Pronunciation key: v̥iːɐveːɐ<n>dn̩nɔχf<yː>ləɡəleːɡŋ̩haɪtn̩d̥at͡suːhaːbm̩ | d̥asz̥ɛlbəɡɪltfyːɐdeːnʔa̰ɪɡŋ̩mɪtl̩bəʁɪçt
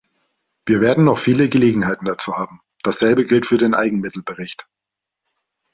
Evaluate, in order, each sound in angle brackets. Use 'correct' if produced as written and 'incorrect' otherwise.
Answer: incorrect: none, incorrect: iː

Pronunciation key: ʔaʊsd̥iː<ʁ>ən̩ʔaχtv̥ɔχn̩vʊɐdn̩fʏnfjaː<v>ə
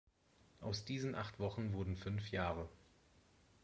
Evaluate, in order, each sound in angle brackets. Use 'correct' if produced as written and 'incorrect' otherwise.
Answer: incorrect: z, incorrect: ʁ

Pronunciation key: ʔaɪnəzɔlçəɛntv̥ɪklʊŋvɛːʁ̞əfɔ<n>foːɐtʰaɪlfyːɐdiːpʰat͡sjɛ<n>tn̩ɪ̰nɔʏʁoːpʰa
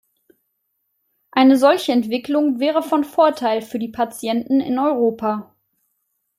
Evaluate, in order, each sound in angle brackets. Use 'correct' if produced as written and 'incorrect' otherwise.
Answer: correct, correct

